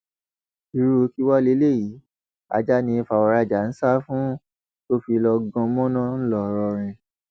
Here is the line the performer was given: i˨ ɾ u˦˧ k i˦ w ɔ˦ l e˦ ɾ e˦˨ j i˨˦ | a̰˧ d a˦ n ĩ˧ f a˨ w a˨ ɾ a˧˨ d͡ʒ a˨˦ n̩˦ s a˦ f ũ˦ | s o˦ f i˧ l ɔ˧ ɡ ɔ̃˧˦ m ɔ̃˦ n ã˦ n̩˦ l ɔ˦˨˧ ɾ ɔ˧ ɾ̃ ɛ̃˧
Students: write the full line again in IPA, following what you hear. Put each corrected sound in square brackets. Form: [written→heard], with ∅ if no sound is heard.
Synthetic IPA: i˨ ɾ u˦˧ k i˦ w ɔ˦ l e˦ [ɾ→l] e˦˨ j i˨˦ | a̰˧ [d→d͡ʒ] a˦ n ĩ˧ f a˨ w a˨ ɾ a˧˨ d͡ʒ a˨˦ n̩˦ s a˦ f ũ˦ | [s→t] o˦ f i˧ l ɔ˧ ɡ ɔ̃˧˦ m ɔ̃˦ n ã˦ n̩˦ l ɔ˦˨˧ ɾ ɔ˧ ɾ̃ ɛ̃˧